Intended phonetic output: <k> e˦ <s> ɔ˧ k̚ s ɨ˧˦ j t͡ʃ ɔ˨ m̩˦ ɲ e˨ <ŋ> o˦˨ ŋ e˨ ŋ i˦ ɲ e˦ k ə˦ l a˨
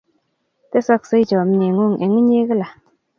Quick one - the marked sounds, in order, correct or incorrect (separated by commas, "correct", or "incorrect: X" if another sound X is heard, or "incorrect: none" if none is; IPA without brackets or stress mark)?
incorrect: t, correct, correct